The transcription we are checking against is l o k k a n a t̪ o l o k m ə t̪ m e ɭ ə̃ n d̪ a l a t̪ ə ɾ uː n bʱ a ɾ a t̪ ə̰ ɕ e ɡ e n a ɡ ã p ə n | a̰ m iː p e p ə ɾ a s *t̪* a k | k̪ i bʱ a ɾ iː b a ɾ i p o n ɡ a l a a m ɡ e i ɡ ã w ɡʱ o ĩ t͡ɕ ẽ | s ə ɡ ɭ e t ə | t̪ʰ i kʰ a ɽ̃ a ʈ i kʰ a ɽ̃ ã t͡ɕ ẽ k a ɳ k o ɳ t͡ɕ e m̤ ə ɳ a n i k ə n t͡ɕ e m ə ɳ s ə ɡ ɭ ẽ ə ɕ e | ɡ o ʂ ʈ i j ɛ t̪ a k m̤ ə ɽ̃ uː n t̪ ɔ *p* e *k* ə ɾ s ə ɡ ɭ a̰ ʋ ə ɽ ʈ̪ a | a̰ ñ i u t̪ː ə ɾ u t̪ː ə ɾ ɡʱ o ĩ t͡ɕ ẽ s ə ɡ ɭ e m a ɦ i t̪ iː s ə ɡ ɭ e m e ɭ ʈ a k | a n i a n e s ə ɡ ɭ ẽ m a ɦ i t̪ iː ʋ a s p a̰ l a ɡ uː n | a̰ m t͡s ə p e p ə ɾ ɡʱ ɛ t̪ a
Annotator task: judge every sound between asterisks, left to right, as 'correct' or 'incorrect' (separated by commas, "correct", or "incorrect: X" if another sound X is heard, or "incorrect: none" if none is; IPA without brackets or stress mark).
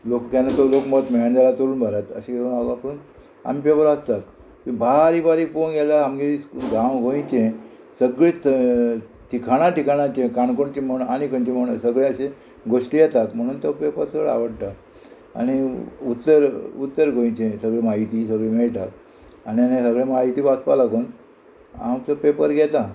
correct, correct, incorrect: p